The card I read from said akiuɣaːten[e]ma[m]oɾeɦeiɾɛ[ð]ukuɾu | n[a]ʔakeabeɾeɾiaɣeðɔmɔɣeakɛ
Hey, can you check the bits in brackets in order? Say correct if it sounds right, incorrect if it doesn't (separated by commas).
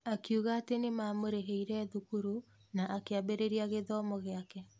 correct, correct, correct, correct